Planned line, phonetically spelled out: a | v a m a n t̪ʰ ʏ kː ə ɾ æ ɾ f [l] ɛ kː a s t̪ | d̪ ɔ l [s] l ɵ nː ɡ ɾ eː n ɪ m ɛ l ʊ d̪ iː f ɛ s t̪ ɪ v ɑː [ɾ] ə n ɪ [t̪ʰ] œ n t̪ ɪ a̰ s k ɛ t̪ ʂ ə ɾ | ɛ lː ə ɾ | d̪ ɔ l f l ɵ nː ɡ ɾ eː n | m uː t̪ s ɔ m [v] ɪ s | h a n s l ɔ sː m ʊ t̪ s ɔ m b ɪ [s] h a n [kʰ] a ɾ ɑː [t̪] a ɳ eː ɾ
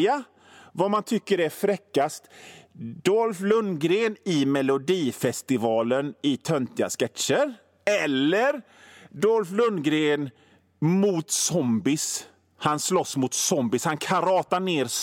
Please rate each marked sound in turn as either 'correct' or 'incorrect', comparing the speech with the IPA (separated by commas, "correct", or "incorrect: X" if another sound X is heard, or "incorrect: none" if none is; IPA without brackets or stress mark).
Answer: incorrect: ɾ, incorrect: f, incorrect: l, correct, incorrect: b, correct, correct, correct